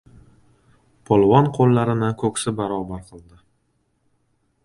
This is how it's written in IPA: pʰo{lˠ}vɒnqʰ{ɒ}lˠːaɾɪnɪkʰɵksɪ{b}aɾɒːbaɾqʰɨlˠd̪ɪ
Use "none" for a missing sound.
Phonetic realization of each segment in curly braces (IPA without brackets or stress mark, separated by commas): lˠ, o, b